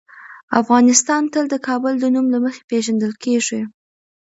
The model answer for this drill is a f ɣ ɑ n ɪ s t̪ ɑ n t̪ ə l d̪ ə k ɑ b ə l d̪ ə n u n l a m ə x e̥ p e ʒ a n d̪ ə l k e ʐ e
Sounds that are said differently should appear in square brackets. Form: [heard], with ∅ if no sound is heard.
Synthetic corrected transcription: a f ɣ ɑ n ɪ s t̪ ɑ n t̪ ə l d̪ ə k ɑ b ə l d̪ ə n u [m] l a m ə x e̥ p e ʒ a n d̪ ə l k e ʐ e